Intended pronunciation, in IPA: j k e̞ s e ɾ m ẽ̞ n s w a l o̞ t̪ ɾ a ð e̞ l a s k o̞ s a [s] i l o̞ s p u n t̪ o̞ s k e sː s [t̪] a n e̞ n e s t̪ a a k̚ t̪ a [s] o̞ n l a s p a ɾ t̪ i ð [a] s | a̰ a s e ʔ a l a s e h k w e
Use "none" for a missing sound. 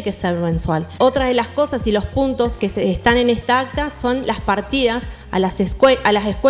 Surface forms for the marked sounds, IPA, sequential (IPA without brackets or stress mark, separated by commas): s, t̪, s, a